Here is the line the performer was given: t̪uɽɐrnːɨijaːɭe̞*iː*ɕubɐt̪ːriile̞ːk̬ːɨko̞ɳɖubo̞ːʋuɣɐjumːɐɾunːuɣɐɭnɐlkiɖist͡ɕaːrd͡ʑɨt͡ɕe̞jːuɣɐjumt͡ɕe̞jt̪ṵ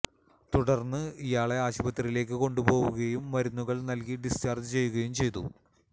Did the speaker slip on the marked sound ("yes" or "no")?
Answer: yes